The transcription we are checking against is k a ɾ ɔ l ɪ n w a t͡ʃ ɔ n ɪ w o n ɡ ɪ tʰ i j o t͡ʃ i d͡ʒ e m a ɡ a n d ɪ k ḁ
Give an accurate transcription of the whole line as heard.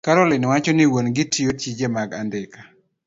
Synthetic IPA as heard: k a ɾ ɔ l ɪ n w a t͡ʃ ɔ n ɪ w o n ɡ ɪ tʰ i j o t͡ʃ i d͡ʒ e m a ɡ a n d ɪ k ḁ